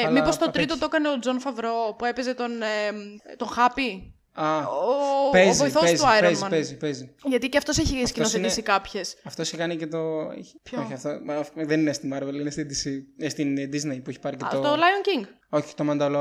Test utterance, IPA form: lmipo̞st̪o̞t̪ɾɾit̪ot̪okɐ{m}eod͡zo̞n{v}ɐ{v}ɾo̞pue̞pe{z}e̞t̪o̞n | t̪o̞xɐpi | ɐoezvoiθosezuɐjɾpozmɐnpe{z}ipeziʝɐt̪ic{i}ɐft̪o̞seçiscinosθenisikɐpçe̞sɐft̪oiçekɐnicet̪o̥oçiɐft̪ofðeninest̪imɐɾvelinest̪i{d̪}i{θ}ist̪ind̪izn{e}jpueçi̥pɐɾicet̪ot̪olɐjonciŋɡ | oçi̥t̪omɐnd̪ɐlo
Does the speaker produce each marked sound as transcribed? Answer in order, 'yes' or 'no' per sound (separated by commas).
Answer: no, no, yes, yes, yes, no, yes, no, yes